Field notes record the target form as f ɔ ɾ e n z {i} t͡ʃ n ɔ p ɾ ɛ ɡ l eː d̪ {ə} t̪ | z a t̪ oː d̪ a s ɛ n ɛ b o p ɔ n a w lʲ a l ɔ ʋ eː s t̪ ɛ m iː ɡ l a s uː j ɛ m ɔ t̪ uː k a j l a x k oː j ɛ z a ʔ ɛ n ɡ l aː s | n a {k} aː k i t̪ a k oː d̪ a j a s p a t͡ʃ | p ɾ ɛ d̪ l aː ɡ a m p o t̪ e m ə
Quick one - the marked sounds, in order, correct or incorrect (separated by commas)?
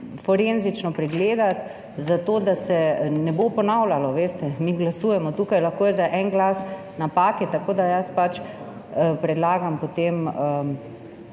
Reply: correct, incorrect, incorrect